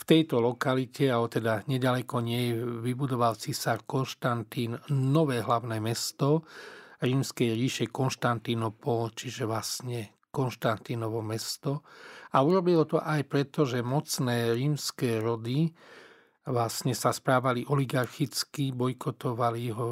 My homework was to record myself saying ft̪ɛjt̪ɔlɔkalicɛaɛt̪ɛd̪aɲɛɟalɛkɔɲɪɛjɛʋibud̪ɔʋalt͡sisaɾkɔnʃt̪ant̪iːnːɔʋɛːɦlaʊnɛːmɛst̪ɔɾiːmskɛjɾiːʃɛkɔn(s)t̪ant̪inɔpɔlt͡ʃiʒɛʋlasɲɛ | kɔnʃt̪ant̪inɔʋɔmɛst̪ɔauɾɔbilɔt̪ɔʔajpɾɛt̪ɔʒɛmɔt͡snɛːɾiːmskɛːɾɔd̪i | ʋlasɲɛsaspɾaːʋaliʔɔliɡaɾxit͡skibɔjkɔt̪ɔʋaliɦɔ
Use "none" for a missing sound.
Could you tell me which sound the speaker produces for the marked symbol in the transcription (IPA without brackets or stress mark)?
ʃ